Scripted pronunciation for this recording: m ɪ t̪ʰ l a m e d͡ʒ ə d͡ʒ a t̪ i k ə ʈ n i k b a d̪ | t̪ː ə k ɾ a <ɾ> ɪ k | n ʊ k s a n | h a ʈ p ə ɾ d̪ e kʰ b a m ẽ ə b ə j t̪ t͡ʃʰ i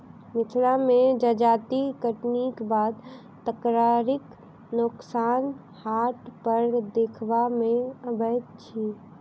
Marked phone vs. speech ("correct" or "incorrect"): correct